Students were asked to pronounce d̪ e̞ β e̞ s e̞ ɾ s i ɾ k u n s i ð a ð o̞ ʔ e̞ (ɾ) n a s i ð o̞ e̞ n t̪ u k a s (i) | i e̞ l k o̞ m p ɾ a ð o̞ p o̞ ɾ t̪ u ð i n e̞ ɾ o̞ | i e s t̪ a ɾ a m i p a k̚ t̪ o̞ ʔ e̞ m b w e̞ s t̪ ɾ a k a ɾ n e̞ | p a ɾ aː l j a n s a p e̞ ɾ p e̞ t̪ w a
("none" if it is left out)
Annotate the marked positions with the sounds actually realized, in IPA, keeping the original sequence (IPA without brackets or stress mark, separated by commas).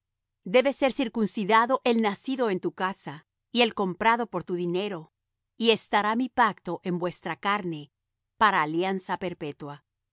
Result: l, a